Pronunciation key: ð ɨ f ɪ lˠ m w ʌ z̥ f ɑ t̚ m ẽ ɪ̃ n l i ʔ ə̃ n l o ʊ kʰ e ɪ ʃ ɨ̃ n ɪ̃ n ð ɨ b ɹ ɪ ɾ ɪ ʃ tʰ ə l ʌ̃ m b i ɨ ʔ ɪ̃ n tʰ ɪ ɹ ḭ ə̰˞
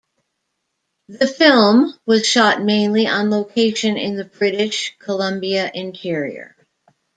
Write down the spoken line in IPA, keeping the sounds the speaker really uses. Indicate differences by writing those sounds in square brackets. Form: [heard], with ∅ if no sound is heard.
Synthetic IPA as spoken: ð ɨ f ɪ lˠ m w ʌ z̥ [ʃ] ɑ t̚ m ẽ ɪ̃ n l i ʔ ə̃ n l o ʊ kʰ e ɪ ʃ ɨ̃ n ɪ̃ n ð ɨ b ɹ ɪ ɾ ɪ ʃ [kʰ] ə l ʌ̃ m b i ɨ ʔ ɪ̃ n tʰ ɪ ɹ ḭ ə̰˞